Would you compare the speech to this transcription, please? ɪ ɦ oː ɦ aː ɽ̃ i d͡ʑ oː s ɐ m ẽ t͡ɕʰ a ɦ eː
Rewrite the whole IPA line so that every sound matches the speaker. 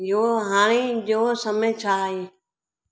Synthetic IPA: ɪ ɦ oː ɦ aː ɽ̃ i d͡ʑ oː s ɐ m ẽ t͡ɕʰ a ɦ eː